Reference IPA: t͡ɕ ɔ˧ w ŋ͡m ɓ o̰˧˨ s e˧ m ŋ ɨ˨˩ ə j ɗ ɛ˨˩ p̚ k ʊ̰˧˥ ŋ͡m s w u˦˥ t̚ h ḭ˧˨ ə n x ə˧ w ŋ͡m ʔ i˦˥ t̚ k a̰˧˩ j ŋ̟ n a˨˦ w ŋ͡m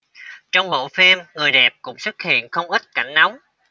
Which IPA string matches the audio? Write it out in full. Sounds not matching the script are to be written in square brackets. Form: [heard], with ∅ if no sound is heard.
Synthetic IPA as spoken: t͡ɕ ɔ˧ w ŋ͡m ɓ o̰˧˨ [f] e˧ m ŋ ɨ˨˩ ə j ɗ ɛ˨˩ p̚ k ʊ̰˧˥ ŋ͡m s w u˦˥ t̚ h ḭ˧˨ ə n x ə˧ w ŋ͡m ʔ i˦˥ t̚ k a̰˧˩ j ŋ̟ n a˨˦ w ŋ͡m